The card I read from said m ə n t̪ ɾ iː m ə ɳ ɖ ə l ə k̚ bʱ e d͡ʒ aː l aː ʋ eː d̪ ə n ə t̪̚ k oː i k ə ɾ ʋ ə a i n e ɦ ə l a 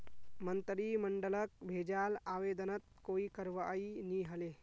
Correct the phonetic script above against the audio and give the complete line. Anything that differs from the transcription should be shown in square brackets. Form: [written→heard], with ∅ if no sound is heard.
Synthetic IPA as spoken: m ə n t̪ ɾ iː m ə ɳ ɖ ə l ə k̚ bʱ e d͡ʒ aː l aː ʋ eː d̪ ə n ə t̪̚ k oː i k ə ɾ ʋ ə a i n [e→i] ɦ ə l [a→e]